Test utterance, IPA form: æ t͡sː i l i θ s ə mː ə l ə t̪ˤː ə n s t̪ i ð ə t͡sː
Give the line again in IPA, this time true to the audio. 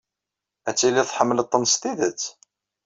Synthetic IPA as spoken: æ t͡sː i l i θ ħ ə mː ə l ə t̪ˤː ə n s t̪ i ð ə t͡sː